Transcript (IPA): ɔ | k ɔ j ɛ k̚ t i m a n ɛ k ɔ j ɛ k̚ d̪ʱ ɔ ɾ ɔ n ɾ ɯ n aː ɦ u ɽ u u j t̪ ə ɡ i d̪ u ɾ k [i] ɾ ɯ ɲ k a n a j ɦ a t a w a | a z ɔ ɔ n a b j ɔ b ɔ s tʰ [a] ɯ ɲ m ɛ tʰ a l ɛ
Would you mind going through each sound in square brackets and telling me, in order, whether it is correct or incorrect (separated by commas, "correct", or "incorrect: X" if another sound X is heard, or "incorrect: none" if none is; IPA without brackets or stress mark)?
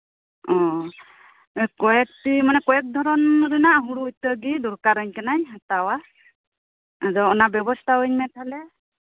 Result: incorrect: a, correct